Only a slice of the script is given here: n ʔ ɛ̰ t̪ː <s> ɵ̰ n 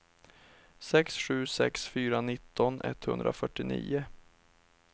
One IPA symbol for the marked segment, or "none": h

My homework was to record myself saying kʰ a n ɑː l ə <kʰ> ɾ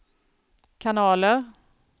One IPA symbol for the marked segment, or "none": none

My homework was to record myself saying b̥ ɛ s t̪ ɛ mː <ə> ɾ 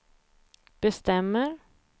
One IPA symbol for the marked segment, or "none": ə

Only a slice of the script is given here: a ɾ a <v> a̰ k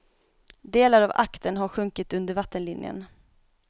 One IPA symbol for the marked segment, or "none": v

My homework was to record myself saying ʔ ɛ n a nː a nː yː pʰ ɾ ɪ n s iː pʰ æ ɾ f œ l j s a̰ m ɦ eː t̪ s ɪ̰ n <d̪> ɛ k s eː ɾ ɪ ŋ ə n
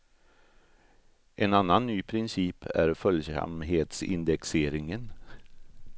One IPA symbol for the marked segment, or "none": d̪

